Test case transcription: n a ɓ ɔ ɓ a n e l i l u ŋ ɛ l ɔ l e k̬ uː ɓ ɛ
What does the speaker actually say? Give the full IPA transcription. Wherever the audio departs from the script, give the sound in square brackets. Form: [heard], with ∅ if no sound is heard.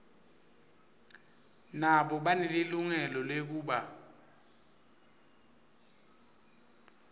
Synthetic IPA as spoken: n a ɓ ɔ ɓ a n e l i l u ŋ ɛ l ɔ l e k̬ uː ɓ [a]